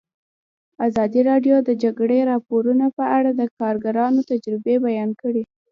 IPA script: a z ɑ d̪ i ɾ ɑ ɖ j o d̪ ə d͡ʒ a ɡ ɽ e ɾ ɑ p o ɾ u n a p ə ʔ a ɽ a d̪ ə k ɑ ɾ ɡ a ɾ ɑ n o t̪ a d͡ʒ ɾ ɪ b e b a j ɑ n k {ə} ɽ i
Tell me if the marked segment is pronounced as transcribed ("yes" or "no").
yes